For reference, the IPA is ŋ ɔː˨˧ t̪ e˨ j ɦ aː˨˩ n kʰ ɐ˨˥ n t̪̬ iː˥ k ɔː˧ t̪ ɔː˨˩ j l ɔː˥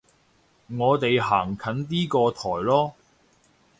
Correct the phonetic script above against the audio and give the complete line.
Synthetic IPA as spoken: ŋ ɔː˨˧ t̪ e˨ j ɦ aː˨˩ ŋ kʰ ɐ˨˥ n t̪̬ iː˥ k ɔː˧ t̪ʰ ɔː˨˩ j l ɔː˥

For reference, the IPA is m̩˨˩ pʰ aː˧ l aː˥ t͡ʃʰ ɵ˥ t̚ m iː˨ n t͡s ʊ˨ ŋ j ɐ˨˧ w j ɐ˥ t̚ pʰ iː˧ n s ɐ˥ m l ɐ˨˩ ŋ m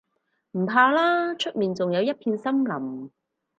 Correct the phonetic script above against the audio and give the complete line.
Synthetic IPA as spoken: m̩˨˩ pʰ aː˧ l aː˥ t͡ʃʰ ɵ˥ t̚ m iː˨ n t͡s ʊ˨ ŋ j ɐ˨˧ w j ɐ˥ t̚ pʰ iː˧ n s ɐ˥ m l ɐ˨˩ m

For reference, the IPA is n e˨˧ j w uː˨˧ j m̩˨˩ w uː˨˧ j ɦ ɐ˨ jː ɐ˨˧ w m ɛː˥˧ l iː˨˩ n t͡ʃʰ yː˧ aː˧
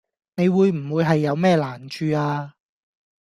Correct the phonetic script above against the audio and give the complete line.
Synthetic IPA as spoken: n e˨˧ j w uː˨˧ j m̩˨˩ w uː˨˧ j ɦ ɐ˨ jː ɐ˨˧ w m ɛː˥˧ l aː˨˩ n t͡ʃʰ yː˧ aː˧

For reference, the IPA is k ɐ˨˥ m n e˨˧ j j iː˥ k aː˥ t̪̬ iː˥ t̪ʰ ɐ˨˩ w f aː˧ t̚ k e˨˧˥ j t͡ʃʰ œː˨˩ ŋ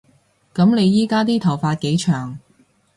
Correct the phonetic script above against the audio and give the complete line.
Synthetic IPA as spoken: k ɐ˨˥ m n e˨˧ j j iː˥ k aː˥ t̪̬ iː˥ t̪ʰ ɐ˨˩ w f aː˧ t̚ k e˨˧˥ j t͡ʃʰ œː˨˩ ŋ

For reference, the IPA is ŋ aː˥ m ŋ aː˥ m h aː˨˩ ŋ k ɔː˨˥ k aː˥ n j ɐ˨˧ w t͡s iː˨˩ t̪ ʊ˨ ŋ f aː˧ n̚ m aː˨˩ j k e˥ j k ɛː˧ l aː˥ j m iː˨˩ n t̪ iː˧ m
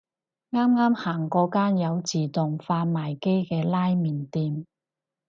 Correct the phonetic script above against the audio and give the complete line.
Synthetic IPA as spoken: ŋ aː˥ m ŋ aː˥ m h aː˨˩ ŋ k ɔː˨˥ k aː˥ n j ɐ˨˧ w t͡s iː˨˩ t̪ ʊ˨ ŋ f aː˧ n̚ m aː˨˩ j k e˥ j k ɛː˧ l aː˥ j m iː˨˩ n t̪ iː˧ m

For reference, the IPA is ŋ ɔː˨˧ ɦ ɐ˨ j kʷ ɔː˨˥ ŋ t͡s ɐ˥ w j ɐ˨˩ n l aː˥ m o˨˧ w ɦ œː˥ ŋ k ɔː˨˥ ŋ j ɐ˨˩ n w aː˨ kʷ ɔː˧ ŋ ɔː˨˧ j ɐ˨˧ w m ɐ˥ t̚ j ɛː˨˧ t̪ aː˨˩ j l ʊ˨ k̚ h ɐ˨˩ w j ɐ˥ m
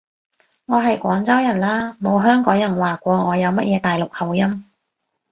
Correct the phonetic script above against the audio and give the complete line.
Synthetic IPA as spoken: ŋ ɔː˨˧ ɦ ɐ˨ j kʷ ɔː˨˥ ŋ t͡s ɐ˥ w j ɐ˨˩ n l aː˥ m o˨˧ w ɦ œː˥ ŋ k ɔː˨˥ ŋ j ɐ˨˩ n w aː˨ kʷ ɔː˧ ŋ ɔː˨˧ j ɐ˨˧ w m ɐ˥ t̚ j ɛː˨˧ t̪ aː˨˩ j l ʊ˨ k̚ h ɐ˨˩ w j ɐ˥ m

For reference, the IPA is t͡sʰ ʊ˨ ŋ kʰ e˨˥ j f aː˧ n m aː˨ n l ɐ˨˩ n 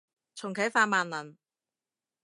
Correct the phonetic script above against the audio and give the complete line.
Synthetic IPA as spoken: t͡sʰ ʊ˨ ŋ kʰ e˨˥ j f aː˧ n m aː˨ n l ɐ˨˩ n

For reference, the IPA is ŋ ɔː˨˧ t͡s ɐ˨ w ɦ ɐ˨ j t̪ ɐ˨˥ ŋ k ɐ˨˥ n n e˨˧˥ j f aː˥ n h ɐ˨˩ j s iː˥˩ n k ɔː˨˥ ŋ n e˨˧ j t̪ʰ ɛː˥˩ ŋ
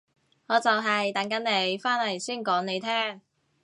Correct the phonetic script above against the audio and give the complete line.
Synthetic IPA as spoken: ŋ ɔː˨˧ t͡s ɐ˨ w ɦ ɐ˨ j t̪ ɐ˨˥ ŋ k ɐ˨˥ n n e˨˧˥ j f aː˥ n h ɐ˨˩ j s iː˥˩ n k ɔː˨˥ ŋ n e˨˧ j t̪ʰ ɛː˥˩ ŋ

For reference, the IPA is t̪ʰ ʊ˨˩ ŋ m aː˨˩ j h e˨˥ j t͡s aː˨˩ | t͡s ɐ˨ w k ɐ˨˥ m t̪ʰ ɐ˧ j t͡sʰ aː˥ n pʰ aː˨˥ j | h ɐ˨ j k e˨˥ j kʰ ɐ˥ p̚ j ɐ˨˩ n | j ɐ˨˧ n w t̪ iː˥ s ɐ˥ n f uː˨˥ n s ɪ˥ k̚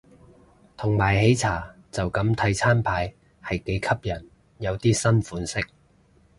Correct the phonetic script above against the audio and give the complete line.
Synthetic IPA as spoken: t̪ʰ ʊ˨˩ ŋ m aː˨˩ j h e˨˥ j t͡sʰ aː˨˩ | t͡s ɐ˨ w k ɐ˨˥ m t̪ʰ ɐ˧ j t͡sʰ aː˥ n pʰ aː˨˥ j | h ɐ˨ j k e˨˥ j kʰ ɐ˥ p̚ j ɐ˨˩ n | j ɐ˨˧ w t̪ iː˥ s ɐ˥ n f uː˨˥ n s ɪ˥ k̚

